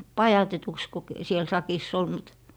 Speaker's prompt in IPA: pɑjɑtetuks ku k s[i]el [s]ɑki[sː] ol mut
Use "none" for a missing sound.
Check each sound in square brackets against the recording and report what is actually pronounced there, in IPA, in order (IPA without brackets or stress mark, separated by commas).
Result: i, s, sː